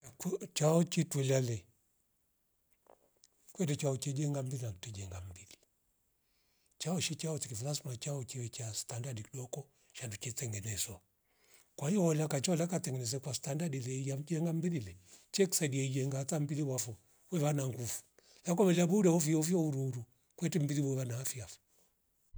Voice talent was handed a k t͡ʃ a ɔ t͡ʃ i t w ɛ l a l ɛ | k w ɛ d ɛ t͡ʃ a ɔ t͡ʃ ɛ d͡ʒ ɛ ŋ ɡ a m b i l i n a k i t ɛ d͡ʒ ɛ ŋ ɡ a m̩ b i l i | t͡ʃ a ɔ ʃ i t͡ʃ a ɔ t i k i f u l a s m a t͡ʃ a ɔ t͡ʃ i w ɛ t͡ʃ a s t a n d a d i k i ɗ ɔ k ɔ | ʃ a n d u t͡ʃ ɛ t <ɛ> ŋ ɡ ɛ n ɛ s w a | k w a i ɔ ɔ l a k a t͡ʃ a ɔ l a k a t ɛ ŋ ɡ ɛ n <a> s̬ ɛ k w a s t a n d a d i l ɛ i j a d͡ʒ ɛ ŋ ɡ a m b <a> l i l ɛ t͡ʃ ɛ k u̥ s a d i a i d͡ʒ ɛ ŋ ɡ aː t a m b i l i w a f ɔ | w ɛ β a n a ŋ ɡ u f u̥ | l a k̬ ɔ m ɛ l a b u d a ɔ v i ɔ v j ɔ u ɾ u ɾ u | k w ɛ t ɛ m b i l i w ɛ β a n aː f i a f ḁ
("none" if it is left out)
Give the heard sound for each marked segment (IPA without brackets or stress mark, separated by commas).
ɛ, ɛ, i